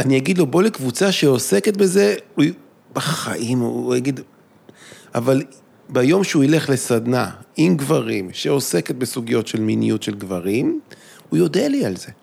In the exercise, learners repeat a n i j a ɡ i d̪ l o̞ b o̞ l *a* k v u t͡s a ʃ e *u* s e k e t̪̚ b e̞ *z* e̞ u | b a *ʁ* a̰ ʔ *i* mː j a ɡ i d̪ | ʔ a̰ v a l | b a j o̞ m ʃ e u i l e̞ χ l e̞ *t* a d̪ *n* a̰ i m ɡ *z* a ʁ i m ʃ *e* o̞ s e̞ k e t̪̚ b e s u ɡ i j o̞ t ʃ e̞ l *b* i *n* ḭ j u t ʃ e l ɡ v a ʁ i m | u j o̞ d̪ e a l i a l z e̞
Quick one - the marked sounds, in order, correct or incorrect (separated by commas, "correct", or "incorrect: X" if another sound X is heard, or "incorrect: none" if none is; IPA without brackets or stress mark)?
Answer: incorrect: e, incorrect: o, correct, incorrect: χ, correct, incorrect: s, correct, incorrect: v, correct, incorrect: m, correct